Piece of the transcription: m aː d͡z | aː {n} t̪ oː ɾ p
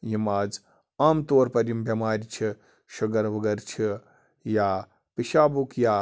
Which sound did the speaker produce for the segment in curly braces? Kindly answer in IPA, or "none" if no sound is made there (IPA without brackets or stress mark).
m